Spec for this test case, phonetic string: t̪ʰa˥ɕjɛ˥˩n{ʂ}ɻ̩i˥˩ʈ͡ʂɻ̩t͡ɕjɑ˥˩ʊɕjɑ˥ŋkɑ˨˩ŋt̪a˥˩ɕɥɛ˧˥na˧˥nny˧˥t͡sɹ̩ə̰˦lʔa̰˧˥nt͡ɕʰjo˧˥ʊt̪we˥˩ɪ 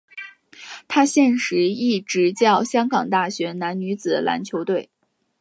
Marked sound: correct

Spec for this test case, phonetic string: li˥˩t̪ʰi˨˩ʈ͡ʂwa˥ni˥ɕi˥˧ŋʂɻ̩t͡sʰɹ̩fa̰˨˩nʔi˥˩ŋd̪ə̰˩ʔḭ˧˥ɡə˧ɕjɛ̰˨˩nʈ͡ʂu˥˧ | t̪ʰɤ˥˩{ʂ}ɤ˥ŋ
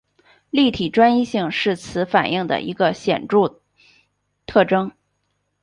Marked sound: incorrect: ʈ͡ʂ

